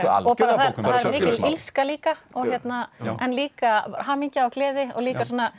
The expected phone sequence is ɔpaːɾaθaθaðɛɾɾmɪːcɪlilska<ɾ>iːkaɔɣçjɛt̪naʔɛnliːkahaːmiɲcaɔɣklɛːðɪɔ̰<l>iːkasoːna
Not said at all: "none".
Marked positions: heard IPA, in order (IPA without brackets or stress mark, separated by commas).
l, l